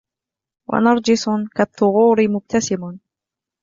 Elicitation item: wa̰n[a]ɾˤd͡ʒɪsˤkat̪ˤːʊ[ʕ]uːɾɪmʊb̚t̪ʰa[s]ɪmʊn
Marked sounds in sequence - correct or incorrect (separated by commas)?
incorrect, incorrect, correct